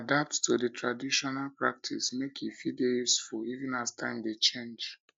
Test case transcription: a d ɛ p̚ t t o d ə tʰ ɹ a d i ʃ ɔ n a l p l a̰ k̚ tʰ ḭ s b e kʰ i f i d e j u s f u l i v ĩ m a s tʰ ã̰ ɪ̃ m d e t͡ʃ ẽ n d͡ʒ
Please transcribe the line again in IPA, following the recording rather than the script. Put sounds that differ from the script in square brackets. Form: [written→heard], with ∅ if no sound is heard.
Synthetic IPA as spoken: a d [ɛ→a] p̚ t t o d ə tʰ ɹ a d i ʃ ɔ n a l p [l→ɹ] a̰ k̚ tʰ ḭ s [b→m] e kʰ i f i d e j u s f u l i v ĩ [m→n] a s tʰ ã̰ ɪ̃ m d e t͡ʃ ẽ n d͡ʒ